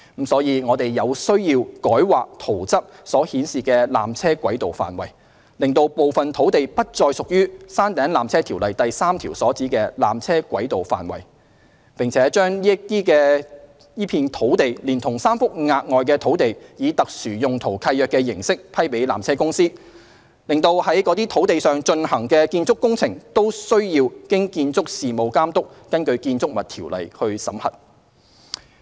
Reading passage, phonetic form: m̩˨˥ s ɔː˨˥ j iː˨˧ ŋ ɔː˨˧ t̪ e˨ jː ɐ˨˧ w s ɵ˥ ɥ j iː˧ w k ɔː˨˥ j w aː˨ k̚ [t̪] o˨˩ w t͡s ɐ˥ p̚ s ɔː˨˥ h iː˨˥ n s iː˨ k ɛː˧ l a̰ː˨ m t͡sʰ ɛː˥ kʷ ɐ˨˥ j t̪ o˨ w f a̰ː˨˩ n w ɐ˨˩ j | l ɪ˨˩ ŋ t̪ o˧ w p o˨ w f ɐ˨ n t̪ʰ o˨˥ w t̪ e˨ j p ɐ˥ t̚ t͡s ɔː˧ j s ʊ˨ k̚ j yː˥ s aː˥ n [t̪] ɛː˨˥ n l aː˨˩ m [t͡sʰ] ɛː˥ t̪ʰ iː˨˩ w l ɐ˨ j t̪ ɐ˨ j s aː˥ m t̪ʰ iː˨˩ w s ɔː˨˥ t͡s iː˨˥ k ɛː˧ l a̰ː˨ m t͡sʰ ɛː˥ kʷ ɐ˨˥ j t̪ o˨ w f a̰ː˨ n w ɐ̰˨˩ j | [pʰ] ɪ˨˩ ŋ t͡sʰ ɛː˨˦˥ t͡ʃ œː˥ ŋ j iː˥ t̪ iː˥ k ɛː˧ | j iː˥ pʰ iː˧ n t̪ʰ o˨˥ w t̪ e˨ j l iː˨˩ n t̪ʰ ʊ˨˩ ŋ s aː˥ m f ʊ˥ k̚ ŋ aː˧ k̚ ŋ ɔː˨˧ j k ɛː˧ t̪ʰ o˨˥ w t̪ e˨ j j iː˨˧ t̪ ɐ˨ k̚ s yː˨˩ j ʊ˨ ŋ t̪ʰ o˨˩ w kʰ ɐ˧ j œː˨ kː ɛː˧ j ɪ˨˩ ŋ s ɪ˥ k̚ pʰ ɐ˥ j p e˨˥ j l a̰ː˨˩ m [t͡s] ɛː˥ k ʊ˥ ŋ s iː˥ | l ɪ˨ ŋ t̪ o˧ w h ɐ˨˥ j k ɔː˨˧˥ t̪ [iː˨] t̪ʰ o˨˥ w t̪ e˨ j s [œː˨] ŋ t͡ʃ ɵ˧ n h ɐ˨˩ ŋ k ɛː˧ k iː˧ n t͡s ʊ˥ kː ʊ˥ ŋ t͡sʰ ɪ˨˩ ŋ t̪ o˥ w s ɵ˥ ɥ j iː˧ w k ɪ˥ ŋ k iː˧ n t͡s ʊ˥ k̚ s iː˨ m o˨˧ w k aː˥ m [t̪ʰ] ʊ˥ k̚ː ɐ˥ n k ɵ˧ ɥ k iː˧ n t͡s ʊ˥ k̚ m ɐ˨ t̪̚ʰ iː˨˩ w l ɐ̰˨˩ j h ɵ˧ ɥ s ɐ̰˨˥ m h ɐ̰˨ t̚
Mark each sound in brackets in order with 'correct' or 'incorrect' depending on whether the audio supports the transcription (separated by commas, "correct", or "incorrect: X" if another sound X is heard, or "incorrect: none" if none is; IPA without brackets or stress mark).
incorrect: t̪ʰ, correct, correct, incorrect: p, incorrect: t͡sʰ, incorrect: iː˥, correct, incorrect: t̪